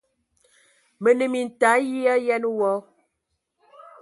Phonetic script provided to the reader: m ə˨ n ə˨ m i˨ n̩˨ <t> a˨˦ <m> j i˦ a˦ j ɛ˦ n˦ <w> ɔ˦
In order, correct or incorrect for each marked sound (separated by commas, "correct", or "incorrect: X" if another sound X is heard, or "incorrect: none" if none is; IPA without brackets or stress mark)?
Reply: correct, incorrect: none, correct